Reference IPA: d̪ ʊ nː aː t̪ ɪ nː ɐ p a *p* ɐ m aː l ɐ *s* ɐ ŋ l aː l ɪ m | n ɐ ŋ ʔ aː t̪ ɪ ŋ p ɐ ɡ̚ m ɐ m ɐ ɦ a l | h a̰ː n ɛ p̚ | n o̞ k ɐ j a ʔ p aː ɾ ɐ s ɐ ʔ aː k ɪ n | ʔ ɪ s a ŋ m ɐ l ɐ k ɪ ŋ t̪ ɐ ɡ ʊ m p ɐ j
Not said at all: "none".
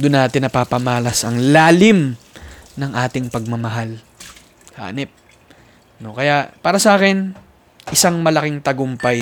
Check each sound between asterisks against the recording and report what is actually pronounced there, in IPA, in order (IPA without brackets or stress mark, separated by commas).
p, s